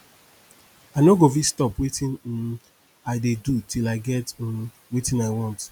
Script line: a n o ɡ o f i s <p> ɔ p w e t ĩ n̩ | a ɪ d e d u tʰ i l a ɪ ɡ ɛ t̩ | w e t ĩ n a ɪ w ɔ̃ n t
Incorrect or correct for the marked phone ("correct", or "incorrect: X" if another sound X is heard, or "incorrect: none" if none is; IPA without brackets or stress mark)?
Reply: incorrect: t